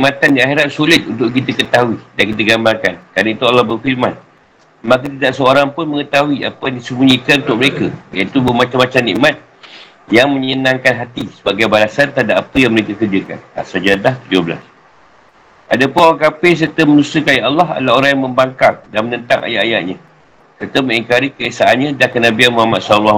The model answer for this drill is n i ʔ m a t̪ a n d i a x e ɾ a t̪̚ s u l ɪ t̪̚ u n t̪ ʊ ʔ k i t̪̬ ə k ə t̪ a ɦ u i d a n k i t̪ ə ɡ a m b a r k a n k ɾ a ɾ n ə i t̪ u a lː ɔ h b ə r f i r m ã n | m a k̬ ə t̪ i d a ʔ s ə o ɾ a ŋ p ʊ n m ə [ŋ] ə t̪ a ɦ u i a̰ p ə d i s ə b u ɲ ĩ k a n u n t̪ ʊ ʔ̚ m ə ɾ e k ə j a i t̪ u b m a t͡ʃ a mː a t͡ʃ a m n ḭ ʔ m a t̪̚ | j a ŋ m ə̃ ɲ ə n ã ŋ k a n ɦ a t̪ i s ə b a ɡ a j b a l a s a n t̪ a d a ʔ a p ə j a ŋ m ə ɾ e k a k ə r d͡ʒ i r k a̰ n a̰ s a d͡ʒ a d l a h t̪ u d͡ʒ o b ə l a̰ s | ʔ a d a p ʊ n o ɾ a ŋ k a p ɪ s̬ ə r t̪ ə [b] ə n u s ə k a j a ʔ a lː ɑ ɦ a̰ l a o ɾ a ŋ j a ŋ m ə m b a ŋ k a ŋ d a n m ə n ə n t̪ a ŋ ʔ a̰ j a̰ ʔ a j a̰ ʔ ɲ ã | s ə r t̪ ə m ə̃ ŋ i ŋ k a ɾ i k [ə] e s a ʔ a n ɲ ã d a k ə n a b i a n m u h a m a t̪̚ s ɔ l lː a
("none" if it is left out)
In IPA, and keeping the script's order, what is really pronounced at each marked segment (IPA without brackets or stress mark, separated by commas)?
ŋ, m, ə